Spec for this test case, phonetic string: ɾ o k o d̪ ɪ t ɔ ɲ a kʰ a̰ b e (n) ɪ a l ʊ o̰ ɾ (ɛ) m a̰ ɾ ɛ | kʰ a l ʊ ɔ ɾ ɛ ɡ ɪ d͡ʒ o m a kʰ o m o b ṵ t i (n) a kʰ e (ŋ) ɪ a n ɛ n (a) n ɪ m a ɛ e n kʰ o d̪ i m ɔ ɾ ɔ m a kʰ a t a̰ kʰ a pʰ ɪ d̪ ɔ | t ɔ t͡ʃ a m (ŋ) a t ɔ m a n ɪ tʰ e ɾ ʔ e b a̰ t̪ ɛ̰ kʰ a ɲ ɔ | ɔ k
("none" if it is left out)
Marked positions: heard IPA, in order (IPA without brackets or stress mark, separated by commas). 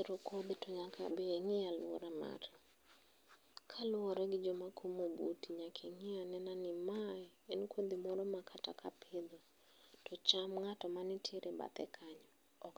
ŋ, a, ɲ, ŋ, a, ŋ